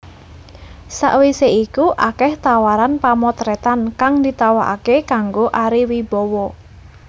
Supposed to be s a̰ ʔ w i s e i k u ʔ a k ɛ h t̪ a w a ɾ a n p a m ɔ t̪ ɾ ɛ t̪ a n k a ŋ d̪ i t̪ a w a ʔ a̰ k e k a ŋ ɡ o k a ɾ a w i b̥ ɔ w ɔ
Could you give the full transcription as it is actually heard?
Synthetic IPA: s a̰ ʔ w i s e i k u ʔ a k ɛ h t̪ a w a ɾ a n p a m ɔ t̪ ɾ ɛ t̪ a n k a ŋ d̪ i t̪ a w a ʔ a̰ k e k a ŋ ɡ o ʔ a ɾ i w i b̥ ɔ w ɔ

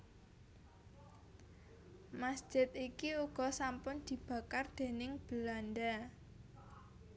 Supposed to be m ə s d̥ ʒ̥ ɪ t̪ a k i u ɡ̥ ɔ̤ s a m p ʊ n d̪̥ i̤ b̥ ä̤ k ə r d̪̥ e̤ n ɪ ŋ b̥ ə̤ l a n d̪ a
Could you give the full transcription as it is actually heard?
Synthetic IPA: m a s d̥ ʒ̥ ɪ t̪ i k i u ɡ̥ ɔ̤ s a m p ʊ n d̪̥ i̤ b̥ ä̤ k a r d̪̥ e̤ n ɪ ŋ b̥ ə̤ l a n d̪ a

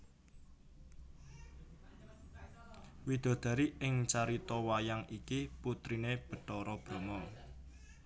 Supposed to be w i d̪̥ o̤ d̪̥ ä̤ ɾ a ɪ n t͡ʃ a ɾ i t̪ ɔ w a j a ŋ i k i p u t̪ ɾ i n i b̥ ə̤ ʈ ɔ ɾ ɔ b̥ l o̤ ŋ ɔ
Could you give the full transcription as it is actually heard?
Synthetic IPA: w i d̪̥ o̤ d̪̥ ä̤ ɾ i ɪ ŋ t͡ʃ a ɾ i t̪ ɔ w a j a ŋ i k i p u t̪ ɾ i n e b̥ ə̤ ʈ ɔ ɾ ɔ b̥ ɾ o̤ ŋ ɔ

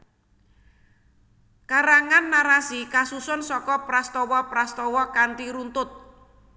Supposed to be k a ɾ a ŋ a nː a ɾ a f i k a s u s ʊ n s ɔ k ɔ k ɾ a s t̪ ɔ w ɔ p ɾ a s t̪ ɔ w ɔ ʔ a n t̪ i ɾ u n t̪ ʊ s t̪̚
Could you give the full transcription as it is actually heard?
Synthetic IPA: k a ɾ a ŋ a nː a ɾ a s i k a s u s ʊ n s ɔ k ɔ p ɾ a s t̪ ɔ w ɔ p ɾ a s t̪ ɔ w ɔ k a n t̪ i ɾ u n t̪ ʊ t̪̚

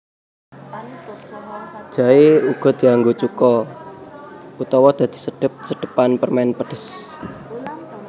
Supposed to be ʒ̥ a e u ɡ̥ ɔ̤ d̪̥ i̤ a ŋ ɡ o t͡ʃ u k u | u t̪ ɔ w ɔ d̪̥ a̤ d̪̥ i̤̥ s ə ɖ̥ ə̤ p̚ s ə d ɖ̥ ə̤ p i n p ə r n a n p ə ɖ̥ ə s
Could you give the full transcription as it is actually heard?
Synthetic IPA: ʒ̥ a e u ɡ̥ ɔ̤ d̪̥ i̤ a ŋ ɡ o t͡ʃ u k ɔ | u t̪ ɔ w ɔ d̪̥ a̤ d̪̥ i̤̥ s ə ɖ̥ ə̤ p̚ s ə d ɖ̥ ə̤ p a n p ə r m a n p ə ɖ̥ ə s

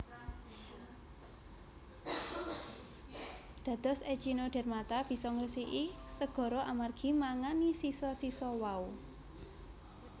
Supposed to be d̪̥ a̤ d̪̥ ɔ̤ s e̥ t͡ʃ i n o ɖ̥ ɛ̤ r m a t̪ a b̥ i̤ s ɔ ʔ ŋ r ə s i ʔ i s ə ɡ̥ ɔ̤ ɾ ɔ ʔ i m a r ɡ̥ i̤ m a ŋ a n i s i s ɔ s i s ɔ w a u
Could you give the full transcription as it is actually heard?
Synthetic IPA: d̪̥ a̤ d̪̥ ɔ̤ s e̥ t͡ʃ i n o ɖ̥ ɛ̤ r m a t̪ a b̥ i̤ s ɔ ŋ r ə s i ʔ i s ə ɡ̥ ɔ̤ ɾ ɔ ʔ a m a r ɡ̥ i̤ m a ŋ a n i s i s ɔ s i s ɔ w a u

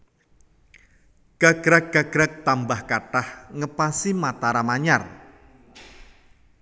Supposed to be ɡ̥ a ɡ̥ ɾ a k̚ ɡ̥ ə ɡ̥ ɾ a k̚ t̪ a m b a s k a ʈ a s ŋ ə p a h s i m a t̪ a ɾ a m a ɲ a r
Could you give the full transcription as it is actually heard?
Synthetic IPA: ɡ̥ a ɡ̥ ɾ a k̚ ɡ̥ a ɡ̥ ɾ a k̚ t̪ a m b a h k a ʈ a h ŋ ə p a s i m a t̪ a ɾ a m a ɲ a r

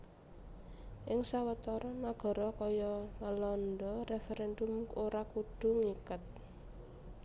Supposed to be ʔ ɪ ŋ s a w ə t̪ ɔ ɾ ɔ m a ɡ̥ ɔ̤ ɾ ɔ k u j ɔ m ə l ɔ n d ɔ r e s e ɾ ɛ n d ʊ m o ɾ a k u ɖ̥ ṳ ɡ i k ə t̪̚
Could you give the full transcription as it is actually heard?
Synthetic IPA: ʔ ɪ ŋ s a w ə t̪ ɔ ɾ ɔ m a ɡ̥ ɔ̤ ɾ ɔ k ɔ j ɔ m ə l ɔ n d ɔ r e f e ɾ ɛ n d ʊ m o ɾ a k u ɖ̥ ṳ ŋ i k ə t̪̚

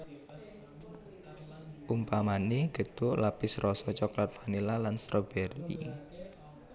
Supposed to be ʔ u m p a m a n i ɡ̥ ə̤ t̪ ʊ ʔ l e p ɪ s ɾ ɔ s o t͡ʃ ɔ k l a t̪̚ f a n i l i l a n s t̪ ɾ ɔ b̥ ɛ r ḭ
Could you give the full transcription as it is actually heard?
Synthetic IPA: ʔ u m p a m a n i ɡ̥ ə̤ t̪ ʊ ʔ l a p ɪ s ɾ ɔ s ɔ t͡ʃ ɔ k l a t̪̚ f a n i l a l a n s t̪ ɾ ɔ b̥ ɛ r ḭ

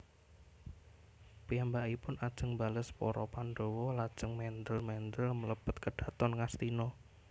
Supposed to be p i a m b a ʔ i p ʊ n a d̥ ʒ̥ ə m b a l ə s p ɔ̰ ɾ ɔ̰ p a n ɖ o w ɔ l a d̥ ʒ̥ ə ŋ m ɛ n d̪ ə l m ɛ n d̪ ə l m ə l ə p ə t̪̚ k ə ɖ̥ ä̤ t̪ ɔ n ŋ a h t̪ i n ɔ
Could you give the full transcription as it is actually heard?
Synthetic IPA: p i a m b a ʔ i p ʊ n a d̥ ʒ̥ ə ŋ b a l ə s p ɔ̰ ɾ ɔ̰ p a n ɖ o w ɔ l a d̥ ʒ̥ ə ŋ m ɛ n d̪ ə l m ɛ n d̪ ə l m ə l ə p ə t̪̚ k ə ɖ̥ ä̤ t̪ ɔ n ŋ a s t̪ i n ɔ

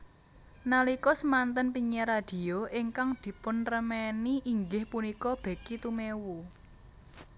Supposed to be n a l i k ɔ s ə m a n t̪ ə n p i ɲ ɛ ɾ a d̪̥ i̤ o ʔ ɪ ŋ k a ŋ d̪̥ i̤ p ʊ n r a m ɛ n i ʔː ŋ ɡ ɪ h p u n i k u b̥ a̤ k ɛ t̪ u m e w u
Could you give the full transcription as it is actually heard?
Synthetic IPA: n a l i k ɔ s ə m a n t̪ ə n p i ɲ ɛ ɾ a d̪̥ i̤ o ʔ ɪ ŋ k a ŋ d̪̥ i̤ p ʊ n r ə m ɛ n i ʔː ŋ ɡ ɪ h p u n i k ɔ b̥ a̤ k i t̪ u m e w u

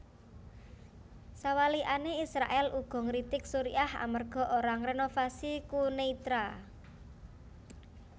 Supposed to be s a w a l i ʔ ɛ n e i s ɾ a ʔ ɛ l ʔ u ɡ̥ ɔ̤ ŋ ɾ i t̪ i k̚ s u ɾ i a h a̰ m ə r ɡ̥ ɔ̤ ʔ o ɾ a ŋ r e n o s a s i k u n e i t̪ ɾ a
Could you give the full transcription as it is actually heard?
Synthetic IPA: s a w a l i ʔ a n e i s ɾ a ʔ ɛ l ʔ u ɡ̥ ɔ̤ ŋ ɾ i t̪ ɪ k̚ s u ɾ i a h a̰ m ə r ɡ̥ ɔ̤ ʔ o ɾ a ŋ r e n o f a s i k u n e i t̪ ɾ a

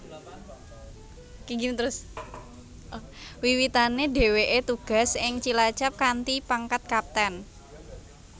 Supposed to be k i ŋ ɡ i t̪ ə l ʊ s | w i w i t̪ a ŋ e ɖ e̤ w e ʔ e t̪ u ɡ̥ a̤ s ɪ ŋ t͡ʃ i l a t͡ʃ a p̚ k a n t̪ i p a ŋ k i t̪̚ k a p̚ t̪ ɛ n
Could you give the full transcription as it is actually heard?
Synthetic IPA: k i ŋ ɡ i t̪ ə ɾ ʊ s | w i w i t̪ a n e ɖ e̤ w e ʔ e t̪ u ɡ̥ a̤ s ɪ ŋ t͡ʃ i l a t͡ʃ a p̚ k a n t̪ i p a ŋ k a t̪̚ k a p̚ t̪ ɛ n

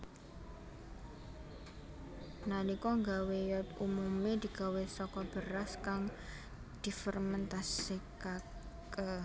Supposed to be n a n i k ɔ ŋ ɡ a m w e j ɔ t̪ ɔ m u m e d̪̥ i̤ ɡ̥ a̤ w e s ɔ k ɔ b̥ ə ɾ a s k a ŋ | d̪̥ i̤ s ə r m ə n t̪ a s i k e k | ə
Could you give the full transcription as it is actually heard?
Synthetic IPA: n a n i k ɔ ŋ ɡ a w e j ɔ t̪ u m u m e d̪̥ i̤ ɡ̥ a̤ w e s ɔ k ɔ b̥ ə ɾ a s k a ŋ | d̪̥ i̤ f ə r m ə n t̪ a s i k a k | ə

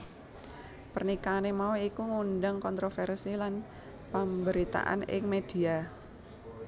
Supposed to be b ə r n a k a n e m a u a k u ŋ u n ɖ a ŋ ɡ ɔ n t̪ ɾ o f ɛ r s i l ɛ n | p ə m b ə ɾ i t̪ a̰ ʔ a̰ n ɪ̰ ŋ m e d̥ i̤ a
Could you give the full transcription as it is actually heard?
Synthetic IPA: p ə r n i k a n e m a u i k u ŋ u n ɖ a ŋ k ɔ n t̪ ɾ o f ɛ r s i l a n | p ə m b ə ɾ i t̪ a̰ ʔ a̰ n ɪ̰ ŋ m e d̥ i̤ a

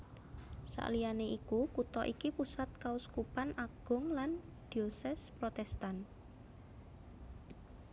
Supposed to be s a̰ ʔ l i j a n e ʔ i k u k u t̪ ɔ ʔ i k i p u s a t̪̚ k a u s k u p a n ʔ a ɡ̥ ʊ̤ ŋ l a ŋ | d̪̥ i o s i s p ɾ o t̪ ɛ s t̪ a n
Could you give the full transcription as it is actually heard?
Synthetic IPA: s a̰ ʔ l i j a n e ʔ i k u k u t̪ ɔ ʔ i k i p u s a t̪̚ k a u s k u p a n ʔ a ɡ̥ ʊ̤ ŋ l a n | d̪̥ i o s ɛ s p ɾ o t̪ ɛ s t̪ a n

